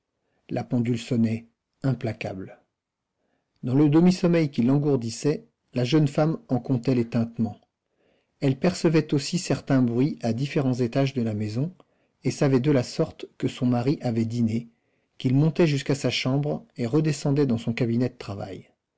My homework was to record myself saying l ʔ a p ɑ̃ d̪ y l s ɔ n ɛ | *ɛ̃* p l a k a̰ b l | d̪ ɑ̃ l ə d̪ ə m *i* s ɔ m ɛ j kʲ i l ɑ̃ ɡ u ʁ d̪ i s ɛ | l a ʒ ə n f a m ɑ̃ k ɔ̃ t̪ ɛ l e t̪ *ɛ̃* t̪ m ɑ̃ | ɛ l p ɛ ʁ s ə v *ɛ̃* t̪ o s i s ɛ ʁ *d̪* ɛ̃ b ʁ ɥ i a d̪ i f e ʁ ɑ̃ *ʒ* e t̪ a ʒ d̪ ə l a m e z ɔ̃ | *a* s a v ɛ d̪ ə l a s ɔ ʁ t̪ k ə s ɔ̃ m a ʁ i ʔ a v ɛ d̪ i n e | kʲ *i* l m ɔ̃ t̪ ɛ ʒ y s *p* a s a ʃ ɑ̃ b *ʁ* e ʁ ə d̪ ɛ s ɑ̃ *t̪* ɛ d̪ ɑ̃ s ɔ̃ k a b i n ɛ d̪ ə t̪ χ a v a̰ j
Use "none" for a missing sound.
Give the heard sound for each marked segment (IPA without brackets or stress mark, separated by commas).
ɛ̃, i, ɛ̃, ɛ, t̪, z, e, i, k, ʁ, d̪